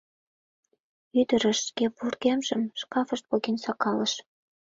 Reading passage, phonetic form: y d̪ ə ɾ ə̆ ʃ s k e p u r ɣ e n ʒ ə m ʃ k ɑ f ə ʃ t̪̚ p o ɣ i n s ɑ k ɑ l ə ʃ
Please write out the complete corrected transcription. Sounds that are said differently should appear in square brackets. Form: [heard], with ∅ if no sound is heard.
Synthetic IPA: y d̪ ə ɾ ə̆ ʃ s k e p u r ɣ e [m] ʒ ə m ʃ k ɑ f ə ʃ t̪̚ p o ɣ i n s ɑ k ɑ l ə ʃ